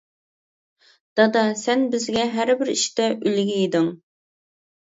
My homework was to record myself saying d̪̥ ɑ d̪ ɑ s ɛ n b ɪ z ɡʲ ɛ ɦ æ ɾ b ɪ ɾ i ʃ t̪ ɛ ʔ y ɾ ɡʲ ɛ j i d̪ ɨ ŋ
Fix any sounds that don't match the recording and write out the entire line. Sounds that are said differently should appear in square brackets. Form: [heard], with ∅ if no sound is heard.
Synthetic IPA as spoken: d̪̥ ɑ d̪ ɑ s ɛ n b ɪ z ɡʲ ɛ ɦ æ ɾ b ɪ ɾ i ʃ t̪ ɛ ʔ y [l] ɡʲ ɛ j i d̪ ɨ ŋ